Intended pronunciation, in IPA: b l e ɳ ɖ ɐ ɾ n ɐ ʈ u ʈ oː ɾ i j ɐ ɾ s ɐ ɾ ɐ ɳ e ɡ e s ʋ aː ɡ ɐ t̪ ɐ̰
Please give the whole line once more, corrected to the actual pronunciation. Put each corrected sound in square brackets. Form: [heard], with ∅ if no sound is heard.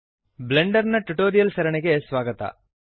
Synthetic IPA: b l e ɳ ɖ ɐ ɾ n ɐ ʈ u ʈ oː ɾ i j ɐ [l] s ɐ ɾ ɐ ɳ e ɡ e s ʋ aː ɡ ɐ t̪ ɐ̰

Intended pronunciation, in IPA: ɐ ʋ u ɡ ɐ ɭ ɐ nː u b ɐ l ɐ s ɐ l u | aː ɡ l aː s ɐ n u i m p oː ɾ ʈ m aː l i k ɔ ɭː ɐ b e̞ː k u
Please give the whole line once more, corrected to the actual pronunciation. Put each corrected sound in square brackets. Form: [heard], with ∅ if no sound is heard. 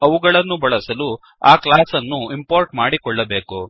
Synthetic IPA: ɐ ʋ u ɡ ɐ ɭ ɐ nː u b ɐ [ɭ] ɐ s ɐ l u | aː [k] l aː s ɐ [nː] u i m p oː ɾ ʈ m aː [ɽ] i k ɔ ɭː ɐ b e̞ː k u

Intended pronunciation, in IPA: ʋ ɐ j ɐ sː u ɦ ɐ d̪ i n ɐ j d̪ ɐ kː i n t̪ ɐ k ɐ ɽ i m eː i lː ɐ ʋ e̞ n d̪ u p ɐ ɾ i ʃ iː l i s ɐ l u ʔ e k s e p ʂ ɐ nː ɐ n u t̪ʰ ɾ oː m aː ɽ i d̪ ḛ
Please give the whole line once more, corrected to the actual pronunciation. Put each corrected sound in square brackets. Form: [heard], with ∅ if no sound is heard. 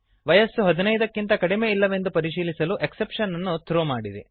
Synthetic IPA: ʋ ɐ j ɐ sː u ɦ ɐ d̪ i n ɐ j d̪ ɐ kː i n t̪ ɐ k ɐ ɽ i m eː i lː ɐ ʋ e̞ n d̪ u p ɐ ɾ i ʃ iː l i s ɐ l u ʔ e k s e p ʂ ɐ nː ɐ [nː] u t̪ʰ ɾ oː m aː ɽ i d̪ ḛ

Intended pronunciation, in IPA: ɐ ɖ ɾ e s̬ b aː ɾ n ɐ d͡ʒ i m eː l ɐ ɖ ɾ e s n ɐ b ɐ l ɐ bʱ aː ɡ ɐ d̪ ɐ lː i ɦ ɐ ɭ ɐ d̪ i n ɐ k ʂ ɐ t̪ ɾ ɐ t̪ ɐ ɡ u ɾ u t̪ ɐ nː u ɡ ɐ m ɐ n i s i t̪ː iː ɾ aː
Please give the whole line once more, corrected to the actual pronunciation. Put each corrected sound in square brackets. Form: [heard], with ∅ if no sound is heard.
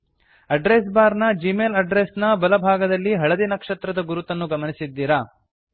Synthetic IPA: ɐ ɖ ɾ e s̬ b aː ɾ n ɐ d͡ʒ i m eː l ɐ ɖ ɾ e s n ɐ b ɐ l ɐ bʱ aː ɡ ɐ d̪ ɐ lː i ɦ ɐ ɭ ɐ d̪ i n ɐ k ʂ ɐ t̪ ɾ ɐ [d̪] ɐ ɡ u ɾ u t̪ ɐ nː u ɡ ɐ m ɐ n i s i [d̪ː] iː ɾ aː

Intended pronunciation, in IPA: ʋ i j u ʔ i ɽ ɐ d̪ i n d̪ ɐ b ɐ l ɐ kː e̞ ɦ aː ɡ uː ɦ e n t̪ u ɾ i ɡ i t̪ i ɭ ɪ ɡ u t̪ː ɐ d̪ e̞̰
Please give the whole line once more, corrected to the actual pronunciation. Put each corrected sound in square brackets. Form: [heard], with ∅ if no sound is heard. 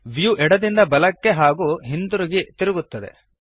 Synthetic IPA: ʋ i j u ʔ [ɛ] ɽ ɐ d̪ i n d̪ ɐ b ɐ l ɐ kː e̞ ɦ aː ɡ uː ɦ [i] n [d̪] u ɾ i ɡ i t̪ i [ɾ] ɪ ɡ u t̪ː ɐ d̪ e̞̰

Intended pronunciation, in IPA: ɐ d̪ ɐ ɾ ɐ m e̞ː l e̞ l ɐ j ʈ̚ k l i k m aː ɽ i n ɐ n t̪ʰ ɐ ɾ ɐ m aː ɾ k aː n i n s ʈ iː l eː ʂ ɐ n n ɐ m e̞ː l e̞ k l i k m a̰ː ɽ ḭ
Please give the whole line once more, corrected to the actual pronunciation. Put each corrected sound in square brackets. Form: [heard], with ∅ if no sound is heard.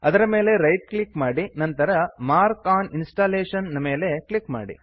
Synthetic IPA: ɐ d̪ ɐ ɾ ɐ m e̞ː l e̞ [ɾ] ɐ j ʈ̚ k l i k m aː ɽ i n ɐ n [t̪] ɐ ɾ ɐ m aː ɾ k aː n i n s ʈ [aː] l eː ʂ ɐ n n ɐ m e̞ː l e̞ k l i k m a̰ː ɽ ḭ

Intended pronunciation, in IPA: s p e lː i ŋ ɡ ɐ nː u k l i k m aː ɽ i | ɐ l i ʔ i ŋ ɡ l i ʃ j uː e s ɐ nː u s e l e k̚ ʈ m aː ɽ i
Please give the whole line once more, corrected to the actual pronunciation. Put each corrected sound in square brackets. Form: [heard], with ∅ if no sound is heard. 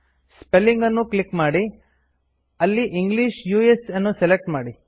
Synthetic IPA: s p e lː i ŋ ɡ ɐ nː u k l i k m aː ɽ i | ɐ [lː] i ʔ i ŋ ɡ l i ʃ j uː e s ɐ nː u s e l e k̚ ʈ m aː ɽ i

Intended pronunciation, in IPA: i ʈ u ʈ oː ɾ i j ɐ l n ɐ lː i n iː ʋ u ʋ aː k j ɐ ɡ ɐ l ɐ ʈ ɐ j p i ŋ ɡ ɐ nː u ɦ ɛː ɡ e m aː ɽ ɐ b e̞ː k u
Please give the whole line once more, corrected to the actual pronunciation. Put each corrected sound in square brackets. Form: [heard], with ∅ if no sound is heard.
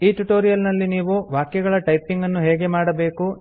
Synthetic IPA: [iː] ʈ u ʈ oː ɾ i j ɐ l n ɐ lː i n iː ʋ u ʋ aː k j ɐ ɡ ɐ [ɭ] ɐ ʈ ɐ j p i ŋ ɡ ɐ nː u ɦ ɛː ɡ e m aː ɽ ɐ b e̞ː k u

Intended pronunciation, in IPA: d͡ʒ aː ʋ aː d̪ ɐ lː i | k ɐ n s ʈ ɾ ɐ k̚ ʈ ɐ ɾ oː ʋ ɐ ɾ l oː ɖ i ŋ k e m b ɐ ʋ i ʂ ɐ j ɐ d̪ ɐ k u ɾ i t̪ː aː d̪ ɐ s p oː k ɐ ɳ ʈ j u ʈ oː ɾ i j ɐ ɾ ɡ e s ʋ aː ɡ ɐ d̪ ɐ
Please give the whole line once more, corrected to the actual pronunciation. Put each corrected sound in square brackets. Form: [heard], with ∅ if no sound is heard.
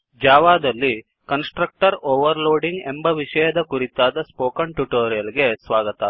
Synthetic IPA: d͡ʒ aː ʋ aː d̪ ɐ lː i | k ɐ n s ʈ ɾ ɐ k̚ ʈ ɐ ɾ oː ʋ ɐ ɾ l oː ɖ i ŋ [ɡ] e m b ɐ ʋ i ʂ ɐ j ɐ d̪ ɐ k u ɾ i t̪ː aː d̪ ɐ s p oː k ɐ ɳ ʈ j u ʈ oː ɾ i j ɐ [l] ɡ e s ʋ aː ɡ ɐ [t̪] ɐ

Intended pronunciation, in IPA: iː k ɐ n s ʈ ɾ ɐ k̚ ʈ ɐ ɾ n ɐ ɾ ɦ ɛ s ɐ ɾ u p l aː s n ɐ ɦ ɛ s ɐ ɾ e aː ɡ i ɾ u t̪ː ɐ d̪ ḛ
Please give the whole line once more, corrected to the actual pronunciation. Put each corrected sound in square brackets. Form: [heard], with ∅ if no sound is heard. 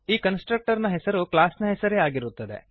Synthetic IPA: iː k ɐ n s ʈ ɾ ɐ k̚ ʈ ɐ ɾ n ɐ [∅] ɦ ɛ s ɐ ɾ u [k] l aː s n ɐ ɦ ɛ s ɐ ɾ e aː ɡ i ɾ u t̪ː ɐ d̪ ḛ

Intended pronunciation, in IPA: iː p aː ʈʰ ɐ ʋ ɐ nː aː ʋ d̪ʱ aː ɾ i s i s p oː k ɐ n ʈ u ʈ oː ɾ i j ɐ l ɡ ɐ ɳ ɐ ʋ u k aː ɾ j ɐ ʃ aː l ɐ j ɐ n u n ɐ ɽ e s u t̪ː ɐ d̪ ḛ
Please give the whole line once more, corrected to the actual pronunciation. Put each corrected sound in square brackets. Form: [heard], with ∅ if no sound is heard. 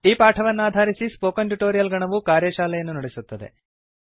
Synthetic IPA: iː p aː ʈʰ ɐ ʋ ɐ nː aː [∅] d̪ʱ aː ɾ i s i s p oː k ɐ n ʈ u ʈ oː ɾ i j ɐ l ɡ ɐ ɳ ɐ ʋ u k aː ɾ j ɐ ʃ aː l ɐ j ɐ [nː] u n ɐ ɽ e s u t̪ː ɐ d̪ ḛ

